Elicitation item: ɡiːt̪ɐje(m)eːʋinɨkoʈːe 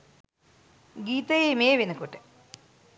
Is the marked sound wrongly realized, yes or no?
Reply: no